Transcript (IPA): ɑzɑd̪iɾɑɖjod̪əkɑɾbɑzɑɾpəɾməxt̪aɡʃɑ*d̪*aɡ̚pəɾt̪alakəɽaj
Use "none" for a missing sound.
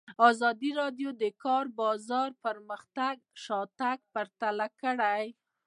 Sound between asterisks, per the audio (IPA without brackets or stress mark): t̪